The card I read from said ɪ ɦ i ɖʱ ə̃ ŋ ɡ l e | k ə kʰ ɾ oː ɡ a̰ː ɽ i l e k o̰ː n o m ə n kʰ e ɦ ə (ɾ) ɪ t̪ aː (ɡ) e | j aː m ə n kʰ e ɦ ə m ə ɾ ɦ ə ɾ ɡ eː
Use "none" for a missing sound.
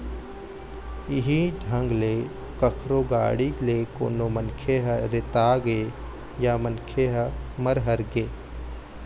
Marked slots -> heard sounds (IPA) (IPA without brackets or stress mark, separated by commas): ɾ, ɡ